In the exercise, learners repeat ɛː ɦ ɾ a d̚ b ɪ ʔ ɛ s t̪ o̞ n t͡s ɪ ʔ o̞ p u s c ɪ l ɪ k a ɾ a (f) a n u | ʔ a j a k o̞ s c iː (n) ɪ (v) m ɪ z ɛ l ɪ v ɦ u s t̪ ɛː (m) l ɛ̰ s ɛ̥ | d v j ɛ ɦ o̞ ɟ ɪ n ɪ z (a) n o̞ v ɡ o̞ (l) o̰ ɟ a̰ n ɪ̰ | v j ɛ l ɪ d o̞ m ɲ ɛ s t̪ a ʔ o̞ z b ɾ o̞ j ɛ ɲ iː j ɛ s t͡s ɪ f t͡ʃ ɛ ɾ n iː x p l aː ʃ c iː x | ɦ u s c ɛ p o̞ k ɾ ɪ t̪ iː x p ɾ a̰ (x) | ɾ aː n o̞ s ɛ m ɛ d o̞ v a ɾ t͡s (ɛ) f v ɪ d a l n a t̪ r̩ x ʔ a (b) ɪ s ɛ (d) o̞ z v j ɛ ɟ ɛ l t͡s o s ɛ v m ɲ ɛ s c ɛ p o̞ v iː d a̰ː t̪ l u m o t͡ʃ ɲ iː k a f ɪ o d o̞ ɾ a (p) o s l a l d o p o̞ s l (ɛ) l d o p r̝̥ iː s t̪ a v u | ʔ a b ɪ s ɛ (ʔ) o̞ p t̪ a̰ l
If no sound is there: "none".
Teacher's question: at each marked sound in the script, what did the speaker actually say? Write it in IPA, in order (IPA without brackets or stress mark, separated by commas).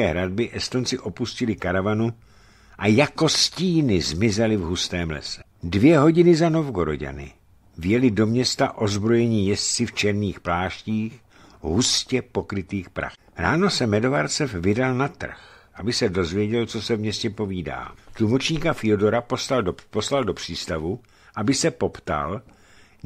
v, n, z, m, a, ɾ, x, ɛ, b, d, p, a, p